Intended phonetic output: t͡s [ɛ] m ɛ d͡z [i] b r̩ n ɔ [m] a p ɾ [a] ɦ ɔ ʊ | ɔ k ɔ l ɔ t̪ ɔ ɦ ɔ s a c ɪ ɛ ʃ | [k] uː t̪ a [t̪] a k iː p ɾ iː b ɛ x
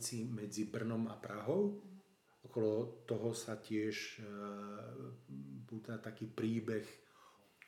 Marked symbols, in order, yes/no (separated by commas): no, yes, yes, yes, no, yes